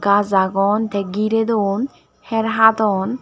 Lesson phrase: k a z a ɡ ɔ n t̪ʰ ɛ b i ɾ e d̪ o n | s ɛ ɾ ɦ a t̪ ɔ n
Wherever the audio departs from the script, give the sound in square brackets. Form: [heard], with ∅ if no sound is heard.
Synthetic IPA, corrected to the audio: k a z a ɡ ɔ n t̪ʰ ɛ [ɡ] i ɾ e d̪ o n | [h] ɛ ɾ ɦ a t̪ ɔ n